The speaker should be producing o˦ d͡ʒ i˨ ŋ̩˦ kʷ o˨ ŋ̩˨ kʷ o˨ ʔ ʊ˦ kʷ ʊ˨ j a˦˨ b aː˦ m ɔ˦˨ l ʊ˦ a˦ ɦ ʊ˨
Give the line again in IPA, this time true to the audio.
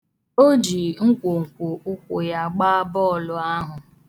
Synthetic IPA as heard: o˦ d͡ʒ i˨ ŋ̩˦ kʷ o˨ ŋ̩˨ kʷ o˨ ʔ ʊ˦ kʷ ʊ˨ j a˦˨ ɡ͡b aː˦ b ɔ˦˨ l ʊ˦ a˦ ɦ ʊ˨